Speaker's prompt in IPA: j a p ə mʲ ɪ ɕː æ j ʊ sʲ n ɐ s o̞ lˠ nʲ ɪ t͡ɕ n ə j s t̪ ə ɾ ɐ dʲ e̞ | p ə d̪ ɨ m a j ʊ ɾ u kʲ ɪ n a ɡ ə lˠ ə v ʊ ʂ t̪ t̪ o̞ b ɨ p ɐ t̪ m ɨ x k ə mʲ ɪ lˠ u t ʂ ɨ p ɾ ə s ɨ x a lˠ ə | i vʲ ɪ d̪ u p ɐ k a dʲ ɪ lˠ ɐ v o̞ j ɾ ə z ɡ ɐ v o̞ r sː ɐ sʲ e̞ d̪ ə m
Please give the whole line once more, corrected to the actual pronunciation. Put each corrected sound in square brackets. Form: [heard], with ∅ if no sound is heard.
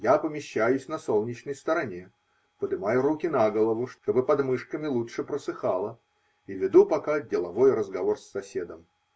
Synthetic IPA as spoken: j a p ə mʲ ɪ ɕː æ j ʊ sʲ n ɐ s o̞ lˠ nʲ ɪ t͡ɕ n ə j s t̪ ə ɾ ɐ [nʲ] e̞ | p ə d̪ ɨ m a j ʊ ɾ u kʲ ɪ n a ɡ ə lˠ ə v ʊ ʂ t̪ t̪ o̞ b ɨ p ɐ [d̪] m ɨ [ʂ] k ə mʲ ɪ lˠ u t ʂ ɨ p ɾ ə s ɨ x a lˠ ə | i vʲ ɪ d̪ u p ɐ k a dʲ ɪ lˠ ɐ v o̞ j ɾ ə z ɡ ɐ v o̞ r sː ɐ sʲ e̞ d̪ ə m